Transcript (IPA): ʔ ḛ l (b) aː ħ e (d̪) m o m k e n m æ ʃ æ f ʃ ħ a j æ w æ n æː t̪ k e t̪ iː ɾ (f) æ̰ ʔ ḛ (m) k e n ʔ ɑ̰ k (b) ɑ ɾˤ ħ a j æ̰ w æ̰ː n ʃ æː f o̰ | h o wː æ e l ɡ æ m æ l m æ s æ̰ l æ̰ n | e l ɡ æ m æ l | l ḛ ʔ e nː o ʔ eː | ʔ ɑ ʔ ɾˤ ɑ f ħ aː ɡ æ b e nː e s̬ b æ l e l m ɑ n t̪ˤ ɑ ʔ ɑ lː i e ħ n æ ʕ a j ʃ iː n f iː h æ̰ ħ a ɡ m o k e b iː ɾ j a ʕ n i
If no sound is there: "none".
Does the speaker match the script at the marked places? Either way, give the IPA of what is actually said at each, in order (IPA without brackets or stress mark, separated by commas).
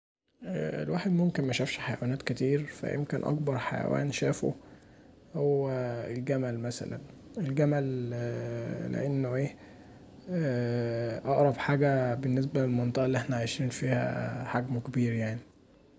w, d̪, f, m, b